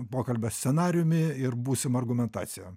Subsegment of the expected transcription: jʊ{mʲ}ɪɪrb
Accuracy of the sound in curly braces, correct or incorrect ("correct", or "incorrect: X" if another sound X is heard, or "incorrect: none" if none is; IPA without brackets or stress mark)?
correct